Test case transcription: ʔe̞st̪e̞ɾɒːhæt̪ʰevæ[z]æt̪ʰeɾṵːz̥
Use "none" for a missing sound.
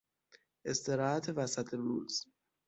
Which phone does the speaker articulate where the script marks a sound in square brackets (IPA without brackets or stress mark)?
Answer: s